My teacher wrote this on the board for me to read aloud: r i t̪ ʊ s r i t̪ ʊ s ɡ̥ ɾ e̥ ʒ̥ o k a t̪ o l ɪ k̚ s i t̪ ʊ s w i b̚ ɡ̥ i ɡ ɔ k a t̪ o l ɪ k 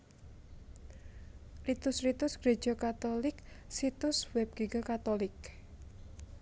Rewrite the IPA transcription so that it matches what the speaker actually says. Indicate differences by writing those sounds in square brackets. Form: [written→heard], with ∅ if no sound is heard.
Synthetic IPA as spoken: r i t̪ ʊ s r i t̪ ʊ s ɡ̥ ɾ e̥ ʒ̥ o k a t̪ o l ɪ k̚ s i t̪ ʊ s w [i→ɛ] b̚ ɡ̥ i ɡ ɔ k a t̪ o l ɪ k